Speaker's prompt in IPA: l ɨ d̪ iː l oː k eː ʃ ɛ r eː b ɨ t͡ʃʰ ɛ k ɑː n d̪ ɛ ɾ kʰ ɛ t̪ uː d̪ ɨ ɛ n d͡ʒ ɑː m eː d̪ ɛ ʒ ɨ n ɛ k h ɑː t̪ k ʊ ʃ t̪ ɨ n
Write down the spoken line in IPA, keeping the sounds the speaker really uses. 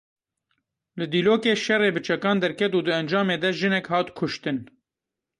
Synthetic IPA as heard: l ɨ d̪ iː l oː k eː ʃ ɛ r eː b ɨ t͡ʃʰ ɛ k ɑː n d̪ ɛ ɾ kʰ ɛ t̪ uː d̪ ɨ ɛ n d͡ʒ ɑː m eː d̪ ɛ ʒ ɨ n ɛ k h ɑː t̪ kʰ ʊ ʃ t̪ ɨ n